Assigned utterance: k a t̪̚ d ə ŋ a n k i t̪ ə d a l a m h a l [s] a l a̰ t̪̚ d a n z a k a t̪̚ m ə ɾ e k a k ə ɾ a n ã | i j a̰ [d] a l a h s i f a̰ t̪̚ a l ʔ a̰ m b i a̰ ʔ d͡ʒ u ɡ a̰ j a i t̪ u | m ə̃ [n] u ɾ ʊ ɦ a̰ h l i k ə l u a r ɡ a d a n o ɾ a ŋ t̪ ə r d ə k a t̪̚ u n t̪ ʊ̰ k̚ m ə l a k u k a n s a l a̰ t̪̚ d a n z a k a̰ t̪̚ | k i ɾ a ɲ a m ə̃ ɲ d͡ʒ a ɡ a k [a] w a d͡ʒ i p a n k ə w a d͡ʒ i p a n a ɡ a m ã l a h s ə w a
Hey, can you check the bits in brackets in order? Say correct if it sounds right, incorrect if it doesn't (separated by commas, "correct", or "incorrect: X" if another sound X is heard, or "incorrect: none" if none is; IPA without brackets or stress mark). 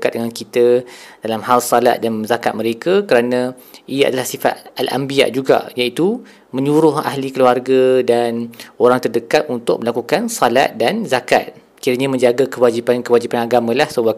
correct, correct, incorrect: ɲ, incorrect: ə